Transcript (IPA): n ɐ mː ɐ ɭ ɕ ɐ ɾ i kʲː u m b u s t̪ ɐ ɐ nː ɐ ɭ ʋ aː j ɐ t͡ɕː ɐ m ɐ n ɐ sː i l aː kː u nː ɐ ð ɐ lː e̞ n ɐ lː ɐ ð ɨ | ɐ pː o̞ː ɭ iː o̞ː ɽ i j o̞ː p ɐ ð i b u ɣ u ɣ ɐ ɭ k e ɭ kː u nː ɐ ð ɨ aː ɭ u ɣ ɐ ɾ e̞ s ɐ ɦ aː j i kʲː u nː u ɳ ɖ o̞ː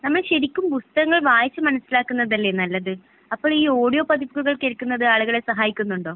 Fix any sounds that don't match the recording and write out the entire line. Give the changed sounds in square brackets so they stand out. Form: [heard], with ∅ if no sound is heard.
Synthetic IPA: n ɐ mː ɐ ɭ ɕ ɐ ɾ i kʲː u m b u s t̪ ɐ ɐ [ŋː] ɐ ɭ ʋ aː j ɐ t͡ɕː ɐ m ɐ n ɐ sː i l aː kː u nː ɐ ð ɐ lː e̞ n ɐ lː ɐ ð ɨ | ɐ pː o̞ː ɭ iː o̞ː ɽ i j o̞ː p ɐ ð i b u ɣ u ɣ ɐ ɭ k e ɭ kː u nː ɐ ð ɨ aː ɭ u ɣ ɐ [ɭ] e̞ s ɐ ɦ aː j i kʲː u nː u ɳ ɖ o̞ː